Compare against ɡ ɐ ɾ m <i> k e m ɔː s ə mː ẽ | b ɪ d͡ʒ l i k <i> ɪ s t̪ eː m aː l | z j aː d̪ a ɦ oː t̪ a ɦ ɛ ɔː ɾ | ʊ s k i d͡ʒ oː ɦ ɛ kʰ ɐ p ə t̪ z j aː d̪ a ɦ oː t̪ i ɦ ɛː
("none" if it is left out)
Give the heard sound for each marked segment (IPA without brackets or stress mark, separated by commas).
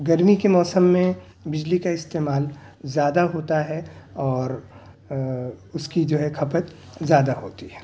i, a